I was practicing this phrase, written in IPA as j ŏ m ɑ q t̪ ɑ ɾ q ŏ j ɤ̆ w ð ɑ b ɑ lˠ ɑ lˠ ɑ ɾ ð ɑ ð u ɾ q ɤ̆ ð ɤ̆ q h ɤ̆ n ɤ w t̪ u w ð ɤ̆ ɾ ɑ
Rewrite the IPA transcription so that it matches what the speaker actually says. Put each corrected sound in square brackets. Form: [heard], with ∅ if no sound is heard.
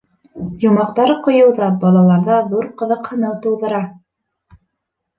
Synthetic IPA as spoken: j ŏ m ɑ q t̪ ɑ ɾ q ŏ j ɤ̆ w ð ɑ b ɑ lˠ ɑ lˠ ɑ ɾ ð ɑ ð u ɾ q ɤ̆ ð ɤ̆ q h ɤ̆ n ɤ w t̪ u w ð ɤ̆ ɾ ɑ